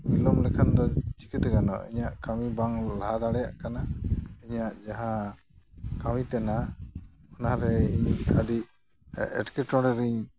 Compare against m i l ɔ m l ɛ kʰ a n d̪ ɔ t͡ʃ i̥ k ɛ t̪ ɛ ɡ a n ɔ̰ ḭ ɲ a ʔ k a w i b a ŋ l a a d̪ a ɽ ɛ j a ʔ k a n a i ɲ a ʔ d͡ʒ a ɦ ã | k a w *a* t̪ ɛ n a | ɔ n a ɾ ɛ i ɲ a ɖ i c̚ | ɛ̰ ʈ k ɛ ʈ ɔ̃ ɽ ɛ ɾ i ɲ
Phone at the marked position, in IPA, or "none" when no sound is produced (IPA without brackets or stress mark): i